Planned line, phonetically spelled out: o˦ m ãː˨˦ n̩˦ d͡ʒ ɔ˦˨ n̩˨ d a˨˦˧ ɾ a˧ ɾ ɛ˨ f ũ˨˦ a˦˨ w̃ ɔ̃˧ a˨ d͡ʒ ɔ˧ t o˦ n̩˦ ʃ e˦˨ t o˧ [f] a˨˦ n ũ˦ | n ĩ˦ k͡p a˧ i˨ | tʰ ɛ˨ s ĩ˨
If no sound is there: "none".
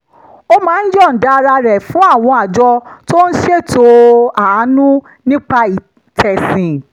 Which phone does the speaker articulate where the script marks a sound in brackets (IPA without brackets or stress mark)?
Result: none